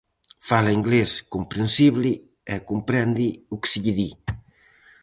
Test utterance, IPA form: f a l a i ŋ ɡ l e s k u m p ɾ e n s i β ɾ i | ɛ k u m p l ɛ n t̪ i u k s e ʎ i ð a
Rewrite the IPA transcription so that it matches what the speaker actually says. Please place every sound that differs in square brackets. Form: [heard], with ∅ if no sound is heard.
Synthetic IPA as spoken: f a l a i ŋ ɡ l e s k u m p ɾ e n s i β [l] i | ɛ k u m p [ɾ] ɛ n [d̪] i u k s [i] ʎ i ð [i]